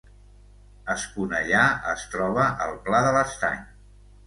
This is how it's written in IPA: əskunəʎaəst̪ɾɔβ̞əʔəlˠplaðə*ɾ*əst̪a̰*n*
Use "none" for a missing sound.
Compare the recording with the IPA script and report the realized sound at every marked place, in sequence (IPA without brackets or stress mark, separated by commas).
l, ɲ